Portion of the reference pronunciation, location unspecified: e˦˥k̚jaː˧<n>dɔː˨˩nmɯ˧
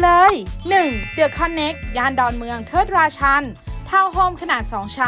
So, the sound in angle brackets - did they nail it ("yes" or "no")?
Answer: yes